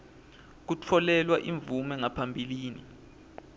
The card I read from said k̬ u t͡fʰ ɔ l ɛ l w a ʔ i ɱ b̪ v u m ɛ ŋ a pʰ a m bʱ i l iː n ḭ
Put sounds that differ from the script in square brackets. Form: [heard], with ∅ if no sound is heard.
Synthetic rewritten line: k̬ u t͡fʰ ɔ l ɛ l w a ʔ i ɱ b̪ v u m ɛ ŋ a pʰ a m bʱ i l iː n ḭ